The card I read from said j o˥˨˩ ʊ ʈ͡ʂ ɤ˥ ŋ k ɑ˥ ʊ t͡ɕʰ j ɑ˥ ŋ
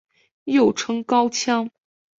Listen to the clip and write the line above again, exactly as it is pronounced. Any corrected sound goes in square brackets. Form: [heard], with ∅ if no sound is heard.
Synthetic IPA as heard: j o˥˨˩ ʊ [ʈ͡ʂʰ] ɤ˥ ŋ k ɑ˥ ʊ t͡ɕʰ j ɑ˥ ŋ